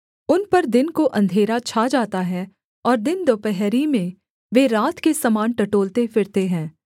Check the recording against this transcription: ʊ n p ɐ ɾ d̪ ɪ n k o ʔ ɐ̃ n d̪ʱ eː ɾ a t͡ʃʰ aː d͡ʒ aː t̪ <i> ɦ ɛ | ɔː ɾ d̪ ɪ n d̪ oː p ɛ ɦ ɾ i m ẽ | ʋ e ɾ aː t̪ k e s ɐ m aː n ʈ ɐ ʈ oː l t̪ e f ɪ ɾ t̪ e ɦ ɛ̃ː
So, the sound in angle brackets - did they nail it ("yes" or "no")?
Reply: no